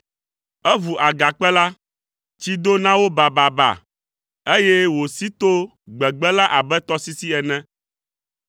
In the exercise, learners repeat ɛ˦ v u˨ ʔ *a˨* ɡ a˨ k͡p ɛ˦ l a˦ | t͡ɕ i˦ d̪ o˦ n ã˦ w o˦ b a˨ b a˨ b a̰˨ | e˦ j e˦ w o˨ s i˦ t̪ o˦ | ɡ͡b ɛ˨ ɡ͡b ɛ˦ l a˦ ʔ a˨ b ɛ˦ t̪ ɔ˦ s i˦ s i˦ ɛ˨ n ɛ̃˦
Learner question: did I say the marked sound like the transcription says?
yes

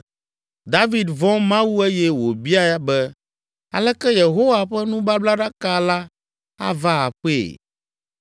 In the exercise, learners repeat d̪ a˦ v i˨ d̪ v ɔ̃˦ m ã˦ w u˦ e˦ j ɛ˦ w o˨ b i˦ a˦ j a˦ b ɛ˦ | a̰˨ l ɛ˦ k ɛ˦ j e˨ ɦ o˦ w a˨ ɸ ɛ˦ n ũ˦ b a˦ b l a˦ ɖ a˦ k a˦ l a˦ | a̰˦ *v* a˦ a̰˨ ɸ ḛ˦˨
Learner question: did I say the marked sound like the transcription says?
yes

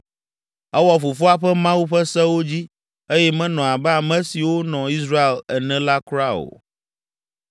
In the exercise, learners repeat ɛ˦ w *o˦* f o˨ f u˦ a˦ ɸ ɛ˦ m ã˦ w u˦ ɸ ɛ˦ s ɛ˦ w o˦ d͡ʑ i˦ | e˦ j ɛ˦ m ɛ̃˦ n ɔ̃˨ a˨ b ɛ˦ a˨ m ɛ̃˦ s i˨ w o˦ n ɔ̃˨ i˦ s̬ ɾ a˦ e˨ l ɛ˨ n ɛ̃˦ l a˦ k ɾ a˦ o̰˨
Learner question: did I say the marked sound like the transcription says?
no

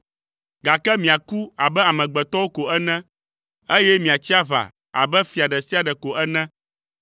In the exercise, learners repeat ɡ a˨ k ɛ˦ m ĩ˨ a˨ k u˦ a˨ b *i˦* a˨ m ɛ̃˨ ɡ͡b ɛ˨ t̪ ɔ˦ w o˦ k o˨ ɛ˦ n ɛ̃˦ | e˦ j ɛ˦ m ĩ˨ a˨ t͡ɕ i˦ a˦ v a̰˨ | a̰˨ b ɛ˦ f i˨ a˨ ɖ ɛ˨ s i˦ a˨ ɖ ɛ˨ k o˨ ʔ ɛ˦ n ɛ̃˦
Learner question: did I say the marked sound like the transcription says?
no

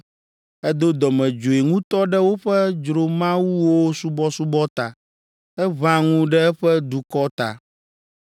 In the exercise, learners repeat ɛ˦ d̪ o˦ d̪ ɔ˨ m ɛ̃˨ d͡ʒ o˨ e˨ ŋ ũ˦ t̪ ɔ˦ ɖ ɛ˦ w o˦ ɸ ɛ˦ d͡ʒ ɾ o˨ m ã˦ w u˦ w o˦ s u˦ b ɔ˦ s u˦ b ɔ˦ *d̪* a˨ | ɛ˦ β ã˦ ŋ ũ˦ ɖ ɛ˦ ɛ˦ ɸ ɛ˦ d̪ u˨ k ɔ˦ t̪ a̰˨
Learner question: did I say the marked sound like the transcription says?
no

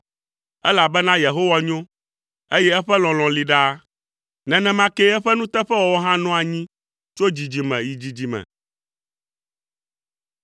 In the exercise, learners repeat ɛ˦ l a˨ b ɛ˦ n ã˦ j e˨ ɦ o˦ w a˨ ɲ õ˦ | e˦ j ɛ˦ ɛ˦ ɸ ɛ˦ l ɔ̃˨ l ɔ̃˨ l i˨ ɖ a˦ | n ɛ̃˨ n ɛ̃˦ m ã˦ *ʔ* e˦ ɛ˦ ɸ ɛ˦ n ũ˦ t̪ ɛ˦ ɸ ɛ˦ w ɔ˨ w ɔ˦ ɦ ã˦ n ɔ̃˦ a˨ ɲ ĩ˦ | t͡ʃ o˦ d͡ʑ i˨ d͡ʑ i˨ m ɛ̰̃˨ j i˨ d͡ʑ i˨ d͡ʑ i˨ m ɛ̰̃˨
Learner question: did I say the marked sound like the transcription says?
no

